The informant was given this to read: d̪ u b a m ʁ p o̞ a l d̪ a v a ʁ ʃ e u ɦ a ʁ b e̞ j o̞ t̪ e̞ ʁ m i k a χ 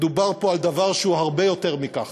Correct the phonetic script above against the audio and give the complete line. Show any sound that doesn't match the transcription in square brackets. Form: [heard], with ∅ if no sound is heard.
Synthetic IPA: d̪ u b a [∅] ʁ p o̞ a l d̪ a v a ʁ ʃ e u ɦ a ʁ b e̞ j o̞ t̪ e̞ ʁ m i k a χ